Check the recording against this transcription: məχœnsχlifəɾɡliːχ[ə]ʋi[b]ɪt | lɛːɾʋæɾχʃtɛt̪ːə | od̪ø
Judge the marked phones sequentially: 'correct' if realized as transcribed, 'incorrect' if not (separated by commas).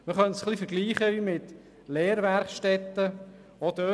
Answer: correct, incorrect